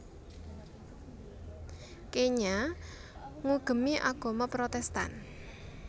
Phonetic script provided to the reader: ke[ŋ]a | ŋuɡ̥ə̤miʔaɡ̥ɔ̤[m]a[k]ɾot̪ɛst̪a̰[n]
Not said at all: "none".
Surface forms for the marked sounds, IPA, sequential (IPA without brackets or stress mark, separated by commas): ɲ, m, p, n